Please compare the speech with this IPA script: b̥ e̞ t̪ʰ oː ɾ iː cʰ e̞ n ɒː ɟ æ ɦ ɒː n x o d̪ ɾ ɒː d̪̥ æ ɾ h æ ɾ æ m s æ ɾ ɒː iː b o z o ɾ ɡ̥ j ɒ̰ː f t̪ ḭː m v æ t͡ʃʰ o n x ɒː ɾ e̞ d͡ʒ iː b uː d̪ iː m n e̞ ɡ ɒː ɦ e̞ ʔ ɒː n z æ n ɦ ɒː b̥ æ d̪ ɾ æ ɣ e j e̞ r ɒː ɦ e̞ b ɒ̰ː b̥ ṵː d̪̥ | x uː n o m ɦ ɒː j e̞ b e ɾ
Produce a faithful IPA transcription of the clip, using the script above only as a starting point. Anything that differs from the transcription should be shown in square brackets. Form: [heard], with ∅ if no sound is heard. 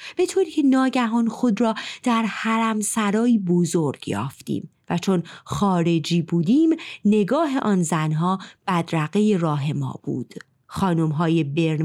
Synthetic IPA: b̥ e̞ t̪ʰ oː ɾ iː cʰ e̞ n ɒː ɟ æ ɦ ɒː n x o d̪ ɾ ɒː d̪̥ æ ɾ h æ ɾ æ m s æ ɾ ɒː iː b o z o ɾ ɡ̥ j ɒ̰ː f t̪ ḭː m v æ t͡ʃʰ o n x ɒː ɾ e̞ d͡ʒ iː b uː d̪ iː m n e̞ ɡ ɒː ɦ e̞ ʔ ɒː n z æ n ɦ ɒː b̥ æ d̪ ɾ æ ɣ e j e̞ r ɒː ɦ e̞ [m] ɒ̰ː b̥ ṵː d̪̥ | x [ɒː] n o m ɦ ɒː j e̞ b e ɾ